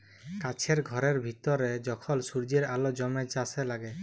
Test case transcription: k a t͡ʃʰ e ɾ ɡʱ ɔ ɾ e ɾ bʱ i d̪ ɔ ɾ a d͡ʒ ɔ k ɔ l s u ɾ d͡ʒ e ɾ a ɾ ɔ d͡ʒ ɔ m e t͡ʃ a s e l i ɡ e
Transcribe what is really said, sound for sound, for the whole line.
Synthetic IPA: k a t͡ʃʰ e ɾ ɡʱ ɔ ɾ e ɾ bʱ i t̪ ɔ ɾ e d͡ʒ ɔ kʰ ɔ l s u ɾ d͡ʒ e ɾ a l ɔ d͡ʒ ɔ m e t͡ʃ a s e l a ɡ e